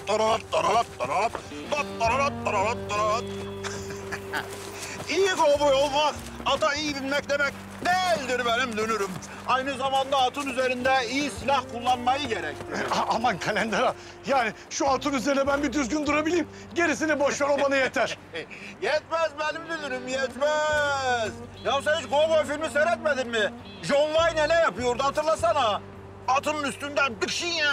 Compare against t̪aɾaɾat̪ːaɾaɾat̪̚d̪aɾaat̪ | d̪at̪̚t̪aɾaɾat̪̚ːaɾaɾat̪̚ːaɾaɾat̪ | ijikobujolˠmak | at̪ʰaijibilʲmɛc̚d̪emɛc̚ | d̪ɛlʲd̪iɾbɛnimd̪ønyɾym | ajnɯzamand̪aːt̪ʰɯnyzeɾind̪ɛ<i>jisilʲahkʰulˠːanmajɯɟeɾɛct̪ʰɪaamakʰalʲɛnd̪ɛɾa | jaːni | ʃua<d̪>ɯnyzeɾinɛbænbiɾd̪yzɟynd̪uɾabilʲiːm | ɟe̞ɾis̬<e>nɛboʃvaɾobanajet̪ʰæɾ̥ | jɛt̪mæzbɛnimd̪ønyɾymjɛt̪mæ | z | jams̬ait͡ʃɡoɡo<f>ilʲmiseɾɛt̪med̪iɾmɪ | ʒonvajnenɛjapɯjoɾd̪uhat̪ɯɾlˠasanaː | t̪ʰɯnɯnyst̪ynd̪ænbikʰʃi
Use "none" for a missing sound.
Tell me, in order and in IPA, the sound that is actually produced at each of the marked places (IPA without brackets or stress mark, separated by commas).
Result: i, t̪, i, f